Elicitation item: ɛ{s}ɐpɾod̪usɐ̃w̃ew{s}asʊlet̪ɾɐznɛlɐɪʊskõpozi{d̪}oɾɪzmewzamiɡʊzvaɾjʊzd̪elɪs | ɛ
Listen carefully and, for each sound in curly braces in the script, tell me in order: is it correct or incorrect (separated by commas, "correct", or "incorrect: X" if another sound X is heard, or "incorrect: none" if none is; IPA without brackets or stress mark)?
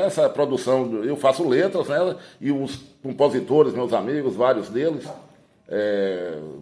correct, incorrect: f, incorrect: t̪